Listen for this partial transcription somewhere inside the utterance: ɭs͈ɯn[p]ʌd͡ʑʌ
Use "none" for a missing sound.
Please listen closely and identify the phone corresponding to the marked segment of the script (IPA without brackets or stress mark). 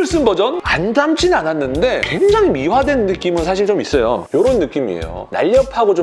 b